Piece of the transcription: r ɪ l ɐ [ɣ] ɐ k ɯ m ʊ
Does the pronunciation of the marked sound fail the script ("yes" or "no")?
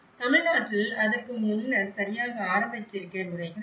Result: yes